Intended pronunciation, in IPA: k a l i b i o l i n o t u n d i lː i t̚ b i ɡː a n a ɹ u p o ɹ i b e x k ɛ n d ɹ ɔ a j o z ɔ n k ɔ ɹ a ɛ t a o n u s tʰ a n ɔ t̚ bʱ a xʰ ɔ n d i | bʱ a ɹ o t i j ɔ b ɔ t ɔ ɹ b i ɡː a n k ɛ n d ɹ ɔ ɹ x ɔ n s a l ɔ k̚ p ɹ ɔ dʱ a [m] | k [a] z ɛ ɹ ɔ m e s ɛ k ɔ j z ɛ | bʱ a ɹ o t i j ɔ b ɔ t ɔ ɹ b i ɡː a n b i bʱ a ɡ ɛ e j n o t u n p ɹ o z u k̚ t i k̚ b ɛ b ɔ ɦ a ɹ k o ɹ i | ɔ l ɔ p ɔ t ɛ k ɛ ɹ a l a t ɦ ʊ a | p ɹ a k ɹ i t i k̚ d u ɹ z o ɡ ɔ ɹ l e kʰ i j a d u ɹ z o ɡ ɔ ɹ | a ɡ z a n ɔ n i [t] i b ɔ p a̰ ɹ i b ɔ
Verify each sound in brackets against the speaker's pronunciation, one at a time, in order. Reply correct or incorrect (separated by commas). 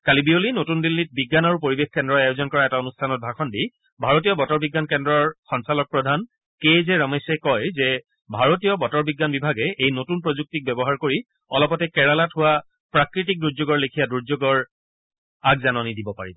incorrect, incorrect, incorrect